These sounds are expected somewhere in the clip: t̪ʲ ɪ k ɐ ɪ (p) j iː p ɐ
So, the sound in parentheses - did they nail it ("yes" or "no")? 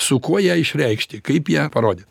yes